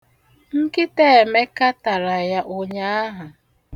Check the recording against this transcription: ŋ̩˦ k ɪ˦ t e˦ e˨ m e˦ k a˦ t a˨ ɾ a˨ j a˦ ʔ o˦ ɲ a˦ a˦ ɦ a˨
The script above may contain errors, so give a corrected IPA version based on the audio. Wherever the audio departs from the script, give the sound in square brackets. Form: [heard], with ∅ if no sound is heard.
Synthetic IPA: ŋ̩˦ k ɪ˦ t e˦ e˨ m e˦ k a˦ t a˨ ɾ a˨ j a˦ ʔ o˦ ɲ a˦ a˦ ɦ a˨